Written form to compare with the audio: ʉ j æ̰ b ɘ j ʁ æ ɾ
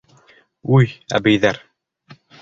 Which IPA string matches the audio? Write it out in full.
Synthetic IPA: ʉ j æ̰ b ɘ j ð æ ɾ